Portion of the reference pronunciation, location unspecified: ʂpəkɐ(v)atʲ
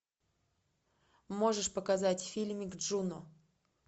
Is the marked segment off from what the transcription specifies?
yes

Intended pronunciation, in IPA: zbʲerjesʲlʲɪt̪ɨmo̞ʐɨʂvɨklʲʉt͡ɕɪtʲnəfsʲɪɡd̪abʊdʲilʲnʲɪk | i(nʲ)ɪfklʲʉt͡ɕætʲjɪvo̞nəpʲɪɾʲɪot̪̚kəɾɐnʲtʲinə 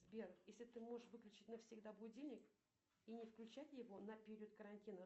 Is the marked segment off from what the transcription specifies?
no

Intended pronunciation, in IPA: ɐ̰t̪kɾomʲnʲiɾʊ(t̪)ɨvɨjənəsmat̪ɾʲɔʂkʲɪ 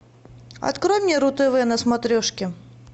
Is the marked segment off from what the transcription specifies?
no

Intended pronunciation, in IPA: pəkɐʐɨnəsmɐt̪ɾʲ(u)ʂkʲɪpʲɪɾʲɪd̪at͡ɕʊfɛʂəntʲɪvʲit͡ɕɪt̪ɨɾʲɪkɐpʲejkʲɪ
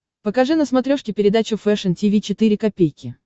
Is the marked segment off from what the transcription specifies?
yes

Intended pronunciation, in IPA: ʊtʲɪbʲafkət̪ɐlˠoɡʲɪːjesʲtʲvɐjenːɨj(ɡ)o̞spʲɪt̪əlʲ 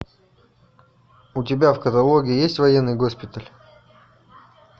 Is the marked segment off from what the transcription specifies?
no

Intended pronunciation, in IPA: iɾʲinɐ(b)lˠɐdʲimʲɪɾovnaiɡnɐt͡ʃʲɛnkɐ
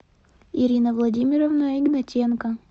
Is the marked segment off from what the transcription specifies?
yes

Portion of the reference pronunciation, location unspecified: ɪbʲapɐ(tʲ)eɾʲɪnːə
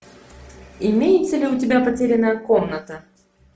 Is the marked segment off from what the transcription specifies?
no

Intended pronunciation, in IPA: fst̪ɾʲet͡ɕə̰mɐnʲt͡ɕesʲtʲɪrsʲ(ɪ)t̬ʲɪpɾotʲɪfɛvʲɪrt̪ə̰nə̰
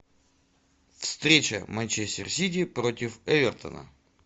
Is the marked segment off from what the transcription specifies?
yes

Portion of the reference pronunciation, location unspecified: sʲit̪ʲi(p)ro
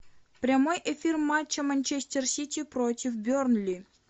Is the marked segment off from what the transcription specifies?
no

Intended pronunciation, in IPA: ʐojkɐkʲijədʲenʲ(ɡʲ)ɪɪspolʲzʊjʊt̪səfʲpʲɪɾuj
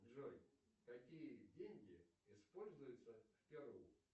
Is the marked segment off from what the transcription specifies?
no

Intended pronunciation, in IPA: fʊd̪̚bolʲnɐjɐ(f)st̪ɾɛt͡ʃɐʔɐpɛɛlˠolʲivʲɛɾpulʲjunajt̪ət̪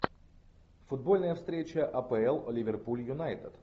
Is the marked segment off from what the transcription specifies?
no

